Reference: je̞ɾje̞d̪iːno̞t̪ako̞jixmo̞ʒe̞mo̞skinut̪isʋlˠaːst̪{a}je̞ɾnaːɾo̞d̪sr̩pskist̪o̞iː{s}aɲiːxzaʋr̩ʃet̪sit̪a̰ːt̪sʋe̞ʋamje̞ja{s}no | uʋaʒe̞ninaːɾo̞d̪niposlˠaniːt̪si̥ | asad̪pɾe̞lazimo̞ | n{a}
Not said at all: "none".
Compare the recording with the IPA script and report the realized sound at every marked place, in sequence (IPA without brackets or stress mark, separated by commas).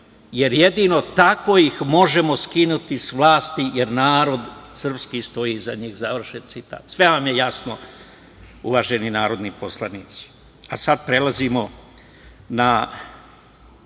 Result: i, z, s, a